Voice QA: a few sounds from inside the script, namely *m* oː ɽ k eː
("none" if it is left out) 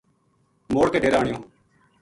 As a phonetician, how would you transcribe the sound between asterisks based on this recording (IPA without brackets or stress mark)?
m